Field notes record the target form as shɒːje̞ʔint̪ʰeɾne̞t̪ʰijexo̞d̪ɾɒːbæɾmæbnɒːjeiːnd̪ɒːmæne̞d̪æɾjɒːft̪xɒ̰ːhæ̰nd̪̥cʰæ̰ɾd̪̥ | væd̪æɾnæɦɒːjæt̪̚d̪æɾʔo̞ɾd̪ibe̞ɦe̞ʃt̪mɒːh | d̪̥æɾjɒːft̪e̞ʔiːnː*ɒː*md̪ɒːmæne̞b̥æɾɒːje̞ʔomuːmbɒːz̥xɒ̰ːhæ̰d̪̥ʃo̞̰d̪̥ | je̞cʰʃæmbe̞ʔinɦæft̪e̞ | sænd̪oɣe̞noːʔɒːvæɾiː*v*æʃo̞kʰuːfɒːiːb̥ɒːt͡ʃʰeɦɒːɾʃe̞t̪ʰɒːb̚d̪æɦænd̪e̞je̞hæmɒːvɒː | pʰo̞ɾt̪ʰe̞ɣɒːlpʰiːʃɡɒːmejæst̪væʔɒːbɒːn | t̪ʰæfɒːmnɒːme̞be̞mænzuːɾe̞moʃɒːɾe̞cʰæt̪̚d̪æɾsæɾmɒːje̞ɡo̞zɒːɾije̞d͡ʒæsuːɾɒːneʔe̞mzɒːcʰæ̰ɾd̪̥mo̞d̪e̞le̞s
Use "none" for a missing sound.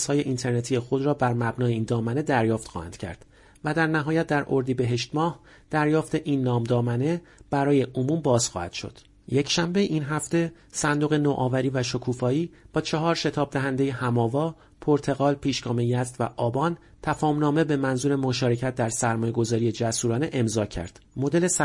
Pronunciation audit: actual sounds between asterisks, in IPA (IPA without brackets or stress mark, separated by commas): ɒː, v